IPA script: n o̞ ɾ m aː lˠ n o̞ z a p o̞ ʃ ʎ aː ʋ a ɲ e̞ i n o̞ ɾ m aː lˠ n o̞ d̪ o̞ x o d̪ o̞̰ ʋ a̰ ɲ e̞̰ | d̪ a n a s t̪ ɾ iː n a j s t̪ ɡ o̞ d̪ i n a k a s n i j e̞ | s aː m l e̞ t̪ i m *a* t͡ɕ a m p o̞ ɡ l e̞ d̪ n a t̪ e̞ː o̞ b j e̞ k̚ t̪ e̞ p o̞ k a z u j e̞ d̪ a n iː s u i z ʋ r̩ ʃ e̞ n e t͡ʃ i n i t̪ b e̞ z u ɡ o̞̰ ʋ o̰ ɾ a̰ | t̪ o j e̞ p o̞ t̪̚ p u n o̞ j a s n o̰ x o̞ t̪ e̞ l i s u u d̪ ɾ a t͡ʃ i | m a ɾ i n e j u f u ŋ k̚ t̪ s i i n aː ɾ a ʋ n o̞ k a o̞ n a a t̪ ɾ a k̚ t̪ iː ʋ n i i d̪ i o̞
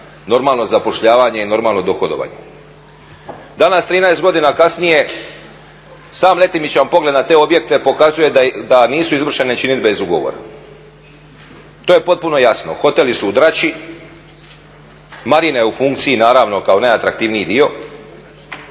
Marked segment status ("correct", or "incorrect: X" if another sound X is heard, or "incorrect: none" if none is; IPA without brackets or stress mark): incorrect: i